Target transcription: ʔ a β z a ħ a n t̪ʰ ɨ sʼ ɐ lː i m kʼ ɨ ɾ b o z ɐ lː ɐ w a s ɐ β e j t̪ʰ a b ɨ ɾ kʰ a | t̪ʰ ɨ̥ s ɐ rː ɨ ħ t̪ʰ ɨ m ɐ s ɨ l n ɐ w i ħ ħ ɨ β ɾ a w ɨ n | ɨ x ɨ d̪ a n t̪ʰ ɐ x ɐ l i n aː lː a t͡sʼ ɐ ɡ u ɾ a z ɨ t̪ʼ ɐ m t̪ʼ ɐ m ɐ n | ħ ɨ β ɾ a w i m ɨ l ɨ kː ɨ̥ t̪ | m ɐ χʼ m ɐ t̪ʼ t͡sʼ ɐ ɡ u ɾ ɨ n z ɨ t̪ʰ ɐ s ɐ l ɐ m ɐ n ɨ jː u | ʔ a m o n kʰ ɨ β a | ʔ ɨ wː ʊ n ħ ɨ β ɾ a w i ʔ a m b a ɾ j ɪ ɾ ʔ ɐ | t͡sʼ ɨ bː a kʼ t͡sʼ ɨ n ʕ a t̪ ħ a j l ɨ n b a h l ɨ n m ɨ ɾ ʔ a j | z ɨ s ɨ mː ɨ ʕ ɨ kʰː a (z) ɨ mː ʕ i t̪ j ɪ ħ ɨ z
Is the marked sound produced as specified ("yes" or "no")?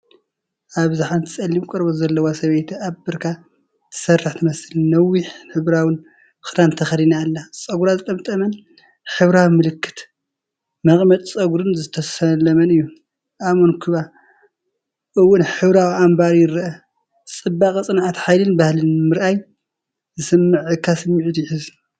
no